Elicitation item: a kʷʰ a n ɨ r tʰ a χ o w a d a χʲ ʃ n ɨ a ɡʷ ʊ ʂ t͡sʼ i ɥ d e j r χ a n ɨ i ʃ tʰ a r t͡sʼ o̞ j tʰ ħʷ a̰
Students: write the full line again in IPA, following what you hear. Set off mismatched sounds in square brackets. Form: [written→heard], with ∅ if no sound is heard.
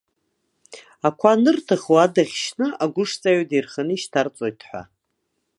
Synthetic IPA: a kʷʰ a n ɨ r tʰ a χ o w a d a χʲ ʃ n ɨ a ɡʷ ʊ ʂ t͡sʼ [i→a] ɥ d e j r χ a n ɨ i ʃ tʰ a r t͡sʼ o̞ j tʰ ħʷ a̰